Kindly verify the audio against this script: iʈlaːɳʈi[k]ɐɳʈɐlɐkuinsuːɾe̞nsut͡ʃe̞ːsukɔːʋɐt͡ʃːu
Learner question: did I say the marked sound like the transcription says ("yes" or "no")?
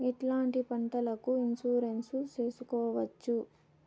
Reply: no